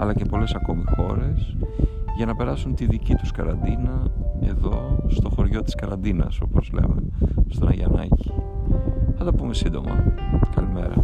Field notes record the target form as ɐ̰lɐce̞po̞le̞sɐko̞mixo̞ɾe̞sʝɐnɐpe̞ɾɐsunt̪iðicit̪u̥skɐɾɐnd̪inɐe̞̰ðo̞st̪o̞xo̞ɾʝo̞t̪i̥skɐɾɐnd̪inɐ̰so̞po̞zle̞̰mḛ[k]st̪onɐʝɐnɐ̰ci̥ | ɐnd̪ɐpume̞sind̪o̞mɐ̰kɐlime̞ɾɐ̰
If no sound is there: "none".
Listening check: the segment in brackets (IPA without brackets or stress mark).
none